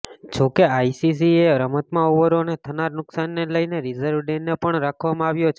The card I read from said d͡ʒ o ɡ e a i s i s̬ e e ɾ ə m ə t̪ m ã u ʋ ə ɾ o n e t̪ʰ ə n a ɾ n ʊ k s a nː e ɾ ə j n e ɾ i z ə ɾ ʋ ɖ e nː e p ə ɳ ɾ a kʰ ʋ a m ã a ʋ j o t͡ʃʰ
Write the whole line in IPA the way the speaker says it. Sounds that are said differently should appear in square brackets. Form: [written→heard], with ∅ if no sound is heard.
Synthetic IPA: d͡ʒ o [ɡ→k] e a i s i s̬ [e→i] e ɾ ə m ə t̪ m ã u ʋ ə ɾ o n e t̪ʰ ə n a ɾ n ʊ k s a nː e [ɾ→l] ə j n e ɾ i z ə ɾ ʋ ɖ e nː e p ə ɳ ɾ a kʰ ʋ a m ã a ʋ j o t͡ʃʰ